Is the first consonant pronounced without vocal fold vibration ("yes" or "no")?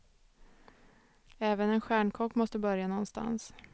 no